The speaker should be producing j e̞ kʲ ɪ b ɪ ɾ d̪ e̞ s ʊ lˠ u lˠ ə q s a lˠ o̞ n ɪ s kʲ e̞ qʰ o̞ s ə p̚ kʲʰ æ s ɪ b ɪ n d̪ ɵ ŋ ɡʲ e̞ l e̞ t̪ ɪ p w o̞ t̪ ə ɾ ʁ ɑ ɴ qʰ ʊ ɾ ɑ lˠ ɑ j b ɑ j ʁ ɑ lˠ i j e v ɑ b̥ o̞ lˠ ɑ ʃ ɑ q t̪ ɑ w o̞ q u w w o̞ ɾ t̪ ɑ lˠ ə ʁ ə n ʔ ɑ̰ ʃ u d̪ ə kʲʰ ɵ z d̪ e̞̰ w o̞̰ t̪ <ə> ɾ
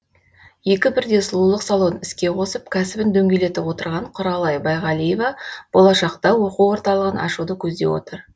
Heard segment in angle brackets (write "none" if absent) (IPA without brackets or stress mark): ə